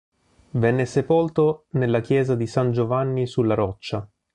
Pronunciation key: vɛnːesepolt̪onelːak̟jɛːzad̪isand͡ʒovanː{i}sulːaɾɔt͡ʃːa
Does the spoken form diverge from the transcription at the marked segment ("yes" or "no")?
no